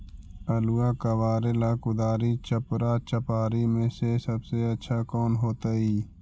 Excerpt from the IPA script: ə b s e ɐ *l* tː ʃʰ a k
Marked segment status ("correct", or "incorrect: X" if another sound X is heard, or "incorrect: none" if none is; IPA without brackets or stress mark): incorrect: none